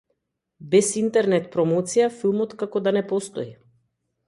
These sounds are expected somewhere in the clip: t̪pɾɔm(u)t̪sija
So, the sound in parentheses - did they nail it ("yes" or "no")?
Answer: no